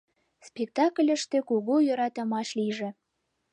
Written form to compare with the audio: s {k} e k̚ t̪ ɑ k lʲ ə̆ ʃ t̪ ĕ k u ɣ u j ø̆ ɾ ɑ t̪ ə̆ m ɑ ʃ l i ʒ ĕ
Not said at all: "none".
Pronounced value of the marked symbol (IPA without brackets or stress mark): p